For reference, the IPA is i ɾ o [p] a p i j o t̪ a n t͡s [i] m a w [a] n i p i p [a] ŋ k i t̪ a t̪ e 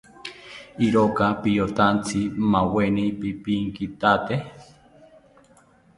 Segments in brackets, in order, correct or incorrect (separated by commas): incorrect, correct, incorrect, incorrect